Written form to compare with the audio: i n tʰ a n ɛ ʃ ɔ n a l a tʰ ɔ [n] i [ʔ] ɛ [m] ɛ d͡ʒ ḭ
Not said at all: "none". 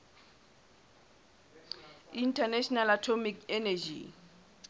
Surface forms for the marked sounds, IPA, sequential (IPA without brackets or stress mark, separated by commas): m, k, n